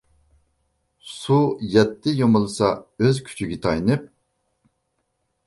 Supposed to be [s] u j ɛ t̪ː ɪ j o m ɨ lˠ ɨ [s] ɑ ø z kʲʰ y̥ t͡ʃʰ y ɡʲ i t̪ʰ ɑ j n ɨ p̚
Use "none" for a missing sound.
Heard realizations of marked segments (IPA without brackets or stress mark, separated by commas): s, s